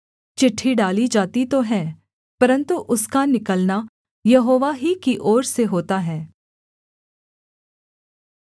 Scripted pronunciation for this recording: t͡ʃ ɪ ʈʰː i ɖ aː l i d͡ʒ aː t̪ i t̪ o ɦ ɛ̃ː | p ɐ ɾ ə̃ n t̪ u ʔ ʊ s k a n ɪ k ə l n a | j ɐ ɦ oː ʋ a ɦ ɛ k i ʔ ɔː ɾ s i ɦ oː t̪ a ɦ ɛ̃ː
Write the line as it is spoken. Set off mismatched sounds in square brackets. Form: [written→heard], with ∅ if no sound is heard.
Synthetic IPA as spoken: t͡ʃ ɪ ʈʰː i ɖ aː l i d͡ʒ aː t̪ i t̪ o ɦ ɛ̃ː | p ɐ ɾ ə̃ n t̪ u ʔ ʊ s k a n ɪ k ə l n a | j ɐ ɦ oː ʋ a ɦ [ɛ→i] k i ʔ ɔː ɾ s [i→e] ɦ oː t̪ a ɦ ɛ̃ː